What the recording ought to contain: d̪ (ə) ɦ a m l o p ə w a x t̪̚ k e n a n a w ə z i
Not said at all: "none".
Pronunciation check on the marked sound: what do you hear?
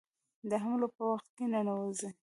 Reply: ə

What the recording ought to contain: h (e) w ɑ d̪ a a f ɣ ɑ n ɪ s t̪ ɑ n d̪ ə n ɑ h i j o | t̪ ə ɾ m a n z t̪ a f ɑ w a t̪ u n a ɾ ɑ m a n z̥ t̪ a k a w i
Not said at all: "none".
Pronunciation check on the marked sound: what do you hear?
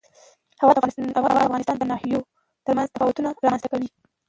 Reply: a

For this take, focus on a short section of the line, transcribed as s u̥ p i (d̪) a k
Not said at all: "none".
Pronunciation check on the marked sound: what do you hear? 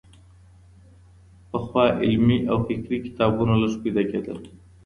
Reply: d̪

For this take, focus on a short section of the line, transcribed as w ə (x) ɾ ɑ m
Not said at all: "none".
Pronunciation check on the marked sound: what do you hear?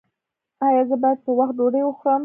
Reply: x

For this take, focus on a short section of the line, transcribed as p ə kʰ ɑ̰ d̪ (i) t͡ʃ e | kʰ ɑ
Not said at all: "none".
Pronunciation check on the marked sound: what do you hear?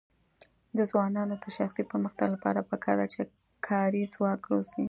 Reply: a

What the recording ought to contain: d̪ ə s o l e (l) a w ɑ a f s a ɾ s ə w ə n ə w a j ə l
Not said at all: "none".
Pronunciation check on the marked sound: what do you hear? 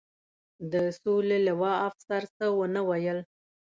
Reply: l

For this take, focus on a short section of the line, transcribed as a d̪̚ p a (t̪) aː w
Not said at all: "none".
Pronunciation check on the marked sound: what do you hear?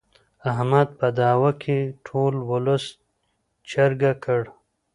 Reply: d̪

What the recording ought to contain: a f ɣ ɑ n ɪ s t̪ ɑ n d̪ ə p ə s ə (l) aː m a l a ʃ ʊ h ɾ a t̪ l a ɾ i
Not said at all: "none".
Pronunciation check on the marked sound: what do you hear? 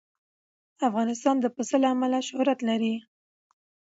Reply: l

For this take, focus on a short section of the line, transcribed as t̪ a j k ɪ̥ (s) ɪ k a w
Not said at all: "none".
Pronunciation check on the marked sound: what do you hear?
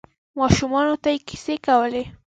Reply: s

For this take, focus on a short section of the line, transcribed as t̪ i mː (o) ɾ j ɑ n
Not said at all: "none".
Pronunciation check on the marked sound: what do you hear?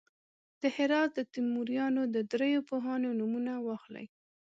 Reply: u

